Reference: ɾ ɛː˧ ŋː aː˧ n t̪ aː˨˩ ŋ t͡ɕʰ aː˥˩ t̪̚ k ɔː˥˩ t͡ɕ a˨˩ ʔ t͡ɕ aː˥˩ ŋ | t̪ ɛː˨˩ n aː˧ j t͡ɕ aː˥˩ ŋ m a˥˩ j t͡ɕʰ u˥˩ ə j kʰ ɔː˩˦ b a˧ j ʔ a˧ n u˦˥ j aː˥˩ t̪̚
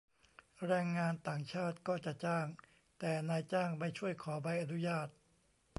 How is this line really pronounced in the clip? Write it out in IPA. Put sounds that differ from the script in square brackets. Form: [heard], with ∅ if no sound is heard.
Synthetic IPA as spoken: ɾ ɛː˧ ŋː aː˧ n t̪ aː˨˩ ŋ t͡ɕʰ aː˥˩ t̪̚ k ɔː˥˩ t͡ɕ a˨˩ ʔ t͡ɕ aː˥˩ ŋ | t̪ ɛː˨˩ n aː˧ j t͡ɕ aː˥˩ ŋ m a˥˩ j t͡ɕʰ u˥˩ ə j kʰ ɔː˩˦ b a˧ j ʔ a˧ n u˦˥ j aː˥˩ t̪̚